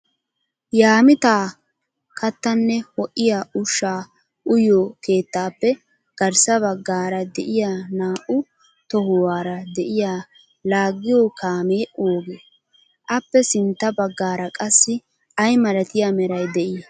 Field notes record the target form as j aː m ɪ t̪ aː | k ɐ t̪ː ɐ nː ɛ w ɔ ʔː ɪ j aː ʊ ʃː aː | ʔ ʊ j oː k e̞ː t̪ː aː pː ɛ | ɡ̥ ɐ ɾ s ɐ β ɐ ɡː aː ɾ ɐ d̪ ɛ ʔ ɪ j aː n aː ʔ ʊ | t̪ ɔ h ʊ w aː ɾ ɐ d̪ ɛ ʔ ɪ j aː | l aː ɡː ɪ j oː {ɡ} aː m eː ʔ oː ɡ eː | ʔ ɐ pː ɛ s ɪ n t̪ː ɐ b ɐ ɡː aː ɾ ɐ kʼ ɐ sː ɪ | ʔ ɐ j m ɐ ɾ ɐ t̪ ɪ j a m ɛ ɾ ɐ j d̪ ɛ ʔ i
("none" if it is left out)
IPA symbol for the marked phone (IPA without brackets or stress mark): k